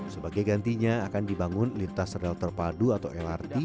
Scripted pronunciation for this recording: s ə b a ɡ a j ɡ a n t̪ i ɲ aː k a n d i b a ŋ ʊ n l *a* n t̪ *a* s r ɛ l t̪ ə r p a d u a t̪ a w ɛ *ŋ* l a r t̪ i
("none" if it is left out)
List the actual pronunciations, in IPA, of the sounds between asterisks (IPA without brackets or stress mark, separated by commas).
i, a, none